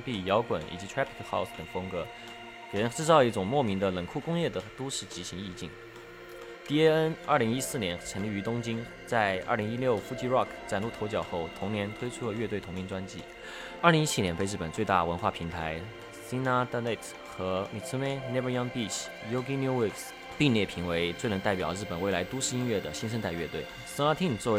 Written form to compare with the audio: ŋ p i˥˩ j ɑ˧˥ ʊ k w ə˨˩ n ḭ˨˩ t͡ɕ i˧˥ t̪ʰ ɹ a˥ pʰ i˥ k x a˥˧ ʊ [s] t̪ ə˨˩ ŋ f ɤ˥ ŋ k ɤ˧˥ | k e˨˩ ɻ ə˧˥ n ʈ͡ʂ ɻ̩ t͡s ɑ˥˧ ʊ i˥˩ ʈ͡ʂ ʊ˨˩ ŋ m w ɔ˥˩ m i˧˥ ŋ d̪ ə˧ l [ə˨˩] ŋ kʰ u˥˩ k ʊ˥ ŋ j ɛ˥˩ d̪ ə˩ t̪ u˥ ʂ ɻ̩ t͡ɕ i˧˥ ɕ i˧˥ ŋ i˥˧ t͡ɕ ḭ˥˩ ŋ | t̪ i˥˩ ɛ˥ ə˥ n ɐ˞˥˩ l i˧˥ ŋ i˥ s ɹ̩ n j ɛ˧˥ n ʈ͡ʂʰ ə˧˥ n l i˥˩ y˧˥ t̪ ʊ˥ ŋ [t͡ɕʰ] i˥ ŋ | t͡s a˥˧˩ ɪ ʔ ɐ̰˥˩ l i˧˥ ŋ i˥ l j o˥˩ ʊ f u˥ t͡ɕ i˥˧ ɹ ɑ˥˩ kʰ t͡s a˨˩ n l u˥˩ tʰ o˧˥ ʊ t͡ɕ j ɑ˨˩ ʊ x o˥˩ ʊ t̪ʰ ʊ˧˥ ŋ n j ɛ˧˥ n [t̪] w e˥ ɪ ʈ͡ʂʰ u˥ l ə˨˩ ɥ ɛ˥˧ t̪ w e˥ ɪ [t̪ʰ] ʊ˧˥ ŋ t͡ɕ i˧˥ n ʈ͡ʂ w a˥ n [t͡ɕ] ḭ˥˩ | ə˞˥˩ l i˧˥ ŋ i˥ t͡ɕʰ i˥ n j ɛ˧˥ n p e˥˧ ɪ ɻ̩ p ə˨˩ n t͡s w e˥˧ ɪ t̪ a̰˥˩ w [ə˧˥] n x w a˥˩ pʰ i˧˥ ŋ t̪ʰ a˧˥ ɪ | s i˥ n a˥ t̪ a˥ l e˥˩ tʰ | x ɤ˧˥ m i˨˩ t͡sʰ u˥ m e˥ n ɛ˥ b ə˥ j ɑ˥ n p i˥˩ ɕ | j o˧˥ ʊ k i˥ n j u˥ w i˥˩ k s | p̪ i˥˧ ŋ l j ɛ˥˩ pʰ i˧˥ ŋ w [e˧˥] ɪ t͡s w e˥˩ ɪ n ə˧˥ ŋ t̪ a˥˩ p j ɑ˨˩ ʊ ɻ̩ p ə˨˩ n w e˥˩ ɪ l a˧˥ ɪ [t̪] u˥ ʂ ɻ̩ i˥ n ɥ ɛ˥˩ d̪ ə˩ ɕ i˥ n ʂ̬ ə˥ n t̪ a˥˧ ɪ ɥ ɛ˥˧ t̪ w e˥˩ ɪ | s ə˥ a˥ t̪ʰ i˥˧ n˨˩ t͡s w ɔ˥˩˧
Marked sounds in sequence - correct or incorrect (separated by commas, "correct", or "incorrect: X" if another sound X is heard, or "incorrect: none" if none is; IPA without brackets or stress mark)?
correct, correct, incorrect: t͡ɕ, incorrect: t̪ʰ, correct, correct, correct, correct, correct